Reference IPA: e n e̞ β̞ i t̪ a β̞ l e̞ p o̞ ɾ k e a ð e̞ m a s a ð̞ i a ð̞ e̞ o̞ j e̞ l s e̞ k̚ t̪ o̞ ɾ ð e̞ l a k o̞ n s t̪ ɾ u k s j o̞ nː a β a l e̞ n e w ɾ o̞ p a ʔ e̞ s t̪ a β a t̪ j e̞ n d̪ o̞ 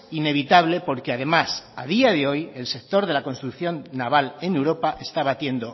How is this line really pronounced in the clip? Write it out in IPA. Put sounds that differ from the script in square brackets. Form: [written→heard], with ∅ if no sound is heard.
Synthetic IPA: [e→i] n e̞ β̞ i t̪ a β̞ l e̞ p o̞ ɾ k e a ð e̞ m a s a ð̞ i a ð̞ e̞ o̞ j e̞ l s e̞ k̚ t̪ o̞ ɾ ð e̞ l a k o̞ n s t̪ ɾ u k [s→θ] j o̞ nː a β a l e̞ n e w ɾ o̞ p a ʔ e̞ s t̪ a β a t̪ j e̞ n d̪ o̞